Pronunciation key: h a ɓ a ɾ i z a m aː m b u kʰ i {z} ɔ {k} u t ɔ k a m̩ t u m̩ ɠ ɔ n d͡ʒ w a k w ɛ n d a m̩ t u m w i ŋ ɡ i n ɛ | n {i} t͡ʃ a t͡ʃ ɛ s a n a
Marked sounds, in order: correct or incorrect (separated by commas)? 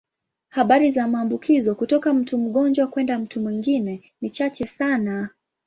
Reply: correct, correct, correct